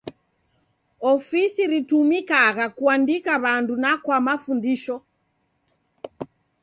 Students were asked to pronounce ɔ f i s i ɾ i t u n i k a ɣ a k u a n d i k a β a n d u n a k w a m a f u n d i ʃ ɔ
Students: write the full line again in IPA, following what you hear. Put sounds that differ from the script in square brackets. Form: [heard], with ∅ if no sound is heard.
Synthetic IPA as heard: ɔ f i s i ɾ i t u [m] i k a ɣ a k u a n d i k a β a n d u n a k w a m a f u n d i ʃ ɔ